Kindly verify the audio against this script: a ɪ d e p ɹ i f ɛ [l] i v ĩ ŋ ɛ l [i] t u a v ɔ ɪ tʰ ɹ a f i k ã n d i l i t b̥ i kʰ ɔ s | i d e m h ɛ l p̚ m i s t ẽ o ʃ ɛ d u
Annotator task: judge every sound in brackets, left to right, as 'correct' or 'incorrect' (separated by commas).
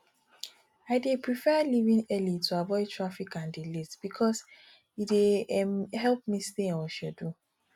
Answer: correct, correct